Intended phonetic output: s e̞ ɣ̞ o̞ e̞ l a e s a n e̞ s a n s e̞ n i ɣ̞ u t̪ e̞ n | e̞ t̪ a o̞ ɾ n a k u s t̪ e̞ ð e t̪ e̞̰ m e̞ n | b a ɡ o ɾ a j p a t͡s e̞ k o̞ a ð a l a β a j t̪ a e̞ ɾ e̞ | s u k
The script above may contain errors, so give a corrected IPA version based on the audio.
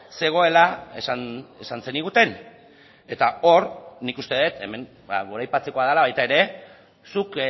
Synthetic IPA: s e̞ ɣ̞ o̞ e̞ l a e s a n e̞ s a n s e̞ n i ɣ̞ u t̪ e̞ n | e̞ t̪ a o̞ ɾ n i k u s t̪ e̞ ð e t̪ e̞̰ m e̞ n | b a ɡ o ɾ a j p a t͡s e̞ k o̞ a ð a l a β a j t̪ a e̞ ɾ e̞ | s u k